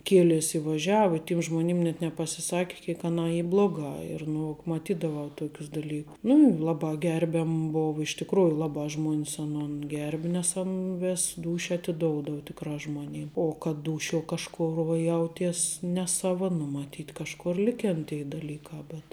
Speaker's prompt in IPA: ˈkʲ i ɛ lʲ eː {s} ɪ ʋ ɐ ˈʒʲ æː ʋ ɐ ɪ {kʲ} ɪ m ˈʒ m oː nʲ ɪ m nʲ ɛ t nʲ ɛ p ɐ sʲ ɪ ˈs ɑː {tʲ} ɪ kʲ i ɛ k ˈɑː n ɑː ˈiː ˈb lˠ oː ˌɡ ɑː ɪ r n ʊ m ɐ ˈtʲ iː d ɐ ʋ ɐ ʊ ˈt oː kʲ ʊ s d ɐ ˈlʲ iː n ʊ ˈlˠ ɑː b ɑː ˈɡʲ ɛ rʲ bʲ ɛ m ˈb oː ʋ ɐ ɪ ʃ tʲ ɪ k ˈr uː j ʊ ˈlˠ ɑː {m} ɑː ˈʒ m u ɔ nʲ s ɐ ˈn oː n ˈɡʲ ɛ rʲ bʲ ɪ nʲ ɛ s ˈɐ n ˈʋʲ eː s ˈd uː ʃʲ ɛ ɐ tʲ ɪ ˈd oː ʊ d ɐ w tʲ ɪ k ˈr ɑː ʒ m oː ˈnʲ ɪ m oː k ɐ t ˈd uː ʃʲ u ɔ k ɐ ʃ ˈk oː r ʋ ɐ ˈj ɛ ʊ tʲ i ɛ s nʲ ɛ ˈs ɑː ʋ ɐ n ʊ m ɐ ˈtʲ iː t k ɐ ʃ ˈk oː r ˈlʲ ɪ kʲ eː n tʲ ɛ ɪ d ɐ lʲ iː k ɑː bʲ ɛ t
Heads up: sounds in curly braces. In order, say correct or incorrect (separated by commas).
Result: correct, incorrect, incorrect, incorrect